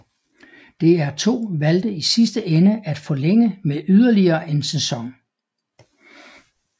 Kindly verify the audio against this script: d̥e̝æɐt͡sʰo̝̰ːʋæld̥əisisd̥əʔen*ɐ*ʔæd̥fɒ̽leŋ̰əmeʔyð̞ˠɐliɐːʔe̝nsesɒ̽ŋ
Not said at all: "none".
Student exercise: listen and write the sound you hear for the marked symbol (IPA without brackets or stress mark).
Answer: ə